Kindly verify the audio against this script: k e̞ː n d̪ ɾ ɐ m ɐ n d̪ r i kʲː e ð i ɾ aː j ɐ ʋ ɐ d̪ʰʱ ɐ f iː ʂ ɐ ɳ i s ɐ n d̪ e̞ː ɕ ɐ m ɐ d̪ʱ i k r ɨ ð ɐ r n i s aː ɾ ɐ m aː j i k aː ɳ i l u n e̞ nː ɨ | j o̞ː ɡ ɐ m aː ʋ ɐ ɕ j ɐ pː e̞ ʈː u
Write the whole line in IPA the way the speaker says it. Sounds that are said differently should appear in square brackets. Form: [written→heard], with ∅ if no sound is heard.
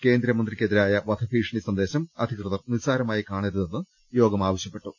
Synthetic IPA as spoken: k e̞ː n d̪ ɾ ɐ m ɐ n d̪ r i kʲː e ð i ɾ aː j ɐ ʋ ɐ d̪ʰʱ ɐ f iː ʂ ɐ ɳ i s ɐ n d̪ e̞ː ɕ ɐ m ɐ d̪ʱ i k r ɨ ð ɐ r n i s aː ɾ ɐ m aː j i k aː ɳ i [l→ɾ] u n e̞ nː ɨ | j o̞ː ɡ ɐ m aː ʋ ɐ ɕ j ɐ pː e̞ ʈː u